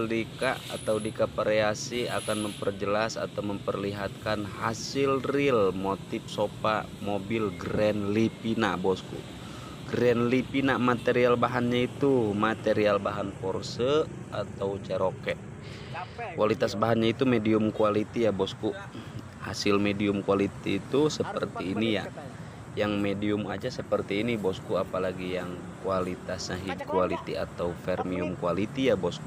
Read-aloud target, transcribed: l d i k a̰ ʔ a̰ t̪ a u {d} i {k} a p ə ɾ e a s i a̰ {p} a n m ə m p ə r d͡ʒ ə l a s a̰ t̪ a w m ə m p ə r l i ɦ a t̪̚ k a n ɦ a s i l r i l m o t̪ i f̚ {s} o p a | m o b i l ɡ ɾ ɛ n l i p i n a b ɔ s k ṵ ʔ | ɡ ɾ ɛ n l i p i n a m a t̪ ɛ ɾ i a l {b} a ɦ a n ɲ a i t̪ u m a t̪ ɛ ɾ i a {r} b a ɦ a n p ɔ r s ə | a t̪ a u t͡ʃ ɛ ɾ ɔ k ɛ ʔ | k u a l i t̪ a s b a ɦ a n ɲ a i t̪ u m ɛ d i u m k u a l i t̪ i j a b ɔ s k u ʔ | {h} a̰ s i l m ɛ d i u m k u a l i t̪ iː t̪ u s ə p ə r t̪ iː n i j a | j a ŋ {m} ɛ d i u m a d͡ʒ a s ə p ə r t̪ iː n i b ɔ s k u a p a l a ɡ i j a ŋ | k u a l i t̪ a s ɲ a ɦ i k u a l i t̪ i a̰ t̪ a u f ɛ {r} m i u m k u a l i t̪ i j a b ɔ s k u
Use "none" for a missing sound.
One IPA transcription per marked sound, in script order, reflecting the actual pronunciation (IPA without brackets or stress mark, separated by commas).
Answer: d, k, k, s, b, l, h, m, r